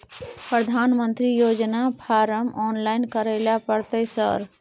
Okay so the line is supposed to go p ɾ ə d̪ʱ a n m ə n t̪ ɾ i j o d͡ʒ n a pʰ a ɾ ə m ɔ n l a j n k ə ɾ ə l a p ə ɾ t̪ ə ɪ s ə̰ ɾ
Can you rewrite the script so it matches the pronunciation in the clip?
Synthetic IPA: p ɾ ə d̪ʱ a n m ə n t̪ ɾ i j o d͡ʒ n a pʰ a ɾ ə m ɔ n l a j n k ə ɾ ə l a p ə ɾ t̪ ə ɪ s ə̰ ɾ